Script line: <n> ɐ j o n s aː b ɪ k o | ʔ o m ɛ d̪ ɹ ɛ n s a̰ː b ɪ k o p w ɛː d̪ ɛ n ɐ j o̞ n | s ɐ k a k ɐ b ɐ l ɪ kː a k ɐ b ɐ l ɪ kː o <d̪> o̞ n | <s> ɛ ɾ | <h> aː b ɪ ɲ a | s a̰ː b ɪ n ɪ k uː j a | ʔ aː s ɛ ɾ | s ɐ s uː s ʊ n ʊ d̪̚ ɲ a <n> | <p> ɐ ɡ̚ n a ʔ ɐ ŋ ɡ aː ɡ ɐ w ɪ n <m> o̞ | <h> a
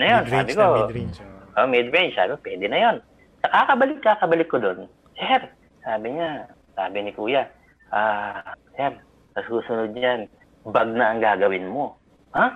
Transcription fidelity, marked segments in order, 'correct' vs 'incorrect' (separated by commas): correct, correct, correct, incorrect, correct, incorrect, correct, correct